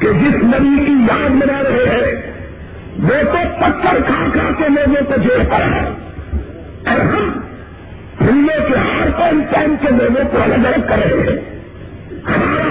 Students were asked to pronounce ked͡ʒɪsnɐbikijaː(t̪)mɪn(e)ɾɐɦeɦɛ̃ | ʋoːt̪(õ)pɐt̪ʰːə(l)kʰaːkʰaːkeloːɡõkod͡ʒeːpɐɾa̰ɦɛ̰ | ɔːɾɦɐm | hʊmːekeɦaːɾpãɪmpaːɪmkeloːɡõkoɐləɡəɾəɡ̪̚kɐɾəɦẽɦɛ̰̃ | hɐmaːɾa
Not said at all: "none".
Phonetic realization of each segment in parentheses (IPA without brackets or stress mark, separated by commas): d̪, a, o, ɾ